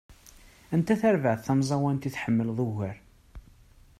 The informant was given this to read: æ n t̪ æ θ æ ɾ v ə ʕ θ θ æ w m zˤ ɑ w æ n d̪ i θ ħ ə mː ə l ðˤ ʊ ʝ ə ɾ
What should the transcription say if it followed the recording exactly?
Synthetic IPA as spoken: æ n t̪ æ θ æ ɾ v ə ʕ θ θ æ m zˤ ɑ w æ n t̪ i θ ħ ə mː ə l ðˤ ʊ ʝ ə ɾ